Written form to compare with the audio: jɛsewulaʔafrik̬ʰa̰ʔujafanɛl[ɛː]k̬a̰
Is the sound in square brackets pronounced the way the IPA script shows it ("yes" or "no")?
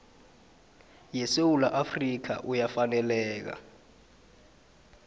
yes